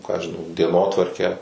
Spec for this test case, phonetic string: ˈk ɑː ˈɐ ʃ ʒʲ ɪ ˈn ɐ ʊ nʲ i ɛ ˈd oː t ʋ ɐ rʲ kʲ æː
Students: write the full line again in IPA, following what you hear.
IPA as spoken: ˈk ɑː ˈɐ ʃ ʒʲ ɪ ˈn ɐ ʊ dʲ i ɛ ˈn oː t ʋ ɐ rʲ kʲ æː